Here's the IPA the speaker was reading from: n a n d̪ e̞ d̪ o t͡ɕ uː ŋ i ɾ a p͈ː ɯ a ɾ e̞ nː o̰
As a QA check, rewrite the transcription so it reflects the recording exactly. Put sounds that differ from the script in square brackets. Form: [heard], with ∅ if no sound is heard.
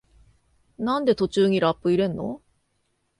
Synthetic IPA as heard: n a n d̪ e̞ [t̪] o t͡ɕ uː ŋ i ɾ a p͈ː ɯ [i] ɾ e̞ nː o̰